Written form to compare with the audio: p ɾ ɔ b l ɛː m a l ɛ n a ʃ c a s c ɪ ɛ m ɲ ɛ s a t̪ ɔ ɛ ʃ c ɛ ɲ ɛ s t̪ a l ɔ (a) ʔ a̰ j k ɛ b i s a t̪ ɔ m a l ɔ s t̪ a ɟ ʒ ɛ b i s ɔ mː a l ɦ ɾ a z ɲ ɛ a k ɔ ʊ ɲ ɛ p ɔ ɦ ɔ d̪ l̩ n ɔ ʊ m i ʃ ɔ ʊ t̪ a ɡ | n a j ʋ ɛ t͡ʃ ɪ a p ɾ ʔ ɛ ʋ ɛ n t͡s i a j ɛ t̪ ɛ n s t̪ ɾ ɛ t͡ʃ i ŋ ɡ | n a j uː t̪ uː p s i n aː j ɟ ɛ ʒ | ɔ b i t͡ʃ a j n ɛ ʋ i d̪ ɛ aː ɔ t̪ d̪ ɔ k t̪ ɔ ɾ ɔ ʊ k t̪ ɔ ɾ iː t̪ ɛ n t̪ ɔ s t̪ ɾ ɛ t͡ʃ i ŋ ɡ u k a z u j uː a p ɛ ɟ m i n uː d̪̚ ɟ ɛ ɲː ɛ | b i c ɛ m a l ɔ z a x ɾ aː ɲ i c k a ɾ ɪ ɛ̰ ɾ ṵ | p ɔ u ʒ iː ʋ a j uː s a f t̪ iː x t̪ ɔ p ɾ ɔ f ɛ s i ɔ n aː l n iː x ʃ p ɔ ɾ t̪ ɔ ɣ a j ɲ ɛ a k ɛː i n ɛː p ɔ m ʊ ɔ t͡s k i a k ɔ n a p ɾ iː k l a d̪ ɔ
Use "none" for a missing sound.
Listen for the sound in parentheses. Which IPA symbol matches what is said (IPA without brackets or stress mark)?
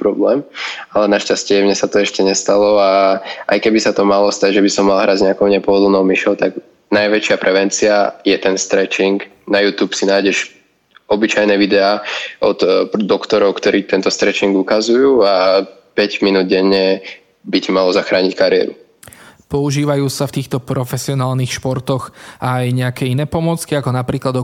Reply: a